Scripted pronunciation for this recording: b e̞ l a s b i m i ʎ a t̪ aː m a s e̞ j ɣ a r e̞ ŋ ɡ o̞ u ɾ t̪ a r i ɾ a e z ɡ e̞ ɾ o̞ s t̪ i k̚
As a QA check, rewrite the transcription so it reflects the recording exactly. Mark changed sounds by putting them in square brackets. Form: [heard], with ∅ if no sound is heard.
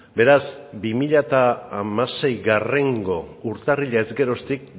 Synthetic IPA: b e̞ [ɾ] a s b i m i ʎ a t̪ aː m a s e̞ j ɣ a r e̞ ŋ ɡ o̞ u ɾ t̪ a r i [ʎ] a e z ɡ e̞ ɾ o̞ s t̪ i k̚